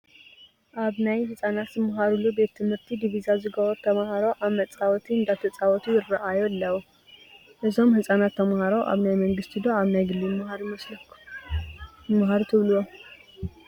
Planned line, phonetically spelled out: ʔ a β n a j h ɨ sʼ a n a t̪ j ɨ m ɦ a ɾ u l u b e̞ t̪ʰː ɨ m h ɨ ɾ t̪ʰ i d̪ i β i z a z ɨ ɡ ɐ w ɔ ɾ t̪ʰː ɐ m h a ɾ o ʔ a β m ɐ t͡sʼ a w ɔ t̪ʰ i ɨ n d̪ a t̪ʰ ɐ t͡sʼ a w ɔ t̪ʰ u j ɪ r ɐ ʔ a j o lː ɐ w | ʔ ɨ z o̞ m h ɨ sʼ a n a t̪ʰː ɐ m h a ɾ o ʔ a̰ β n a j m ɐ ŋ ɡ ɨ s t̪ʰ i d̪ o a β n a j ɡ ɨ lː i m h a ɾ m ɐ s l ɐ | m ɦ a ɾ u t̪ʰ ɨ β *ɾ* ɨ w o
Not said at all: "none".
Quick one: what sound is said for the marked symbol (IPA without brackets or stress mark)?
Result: l